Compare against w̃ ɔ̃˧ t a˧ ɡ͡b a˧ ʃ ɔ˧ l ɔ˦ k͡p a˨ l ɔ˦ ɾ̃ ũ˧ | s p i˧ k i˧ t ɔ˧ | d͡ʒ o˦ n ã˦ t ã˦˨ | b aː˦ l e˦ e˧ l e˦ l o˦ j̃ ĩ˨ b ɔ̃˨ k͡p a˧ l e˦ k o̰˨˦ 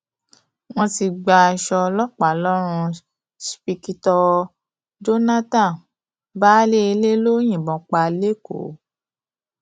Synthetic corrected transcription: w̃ ɔ̃˧ t i˧ ɡ͡b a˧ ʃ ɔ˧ l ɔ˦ k͡p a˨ l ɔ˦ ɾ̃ ũ˧ | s p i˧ k i˧ t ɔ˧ | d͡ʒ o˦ n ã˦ t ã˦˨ | b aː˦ l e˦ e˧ l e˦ l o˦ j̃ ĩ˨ b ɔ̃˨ k͡p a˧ l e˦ k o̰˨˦